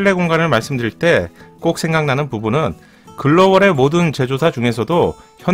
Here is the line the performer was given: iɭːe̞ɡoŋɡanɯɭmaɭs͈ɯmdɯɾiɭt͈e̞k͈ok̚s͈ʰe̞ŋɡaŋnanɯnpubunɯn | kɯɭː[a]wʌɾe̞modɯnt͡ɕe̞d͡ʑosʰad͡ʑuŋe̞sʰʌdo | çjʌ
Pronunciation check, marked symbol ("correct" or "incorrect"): incorrect